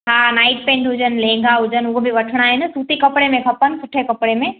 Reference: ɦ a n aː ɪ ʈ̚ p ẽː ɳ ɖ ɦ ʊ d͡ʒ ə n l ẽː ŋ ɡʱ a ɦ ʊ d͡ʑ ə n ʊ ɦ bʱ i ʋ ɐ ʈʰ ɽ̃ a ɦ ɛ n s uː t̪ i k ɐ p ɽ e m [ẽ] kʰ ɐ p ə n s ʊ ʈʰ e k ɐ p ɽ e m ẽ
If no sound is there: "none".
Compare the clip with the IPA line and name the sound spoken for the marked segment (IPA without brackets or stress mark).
ẽ